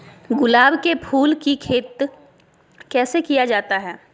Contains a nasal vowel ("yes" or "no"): no